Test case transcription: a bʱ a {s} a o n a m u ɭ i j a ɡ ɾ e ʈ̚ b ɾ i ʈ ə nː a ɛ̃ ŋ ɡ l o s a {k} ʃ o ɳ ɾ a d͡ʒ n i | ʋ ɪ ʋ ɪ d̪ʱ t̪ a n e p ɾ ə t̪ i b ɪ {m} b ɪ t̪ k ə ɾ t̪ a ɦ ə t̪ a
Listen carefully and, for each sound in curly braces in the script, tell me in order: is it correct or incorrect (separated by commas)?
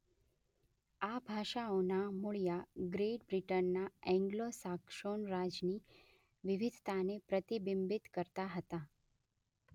incorrect, correct, correct